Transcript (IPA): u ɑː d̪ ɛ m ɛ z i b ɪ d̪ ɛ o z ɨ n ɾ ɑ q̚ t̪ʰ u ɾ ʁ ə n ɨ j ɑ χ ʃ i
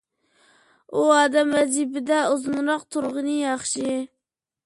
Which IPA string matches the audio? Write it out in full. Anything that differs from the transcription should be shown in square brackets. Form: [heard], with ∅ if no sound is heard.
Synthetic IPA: u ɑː d̪ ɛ m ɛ z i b ɪ d̪ ɛ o z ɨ n ɾ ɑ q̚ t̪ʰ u ɾ ʁ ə n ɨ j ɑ χ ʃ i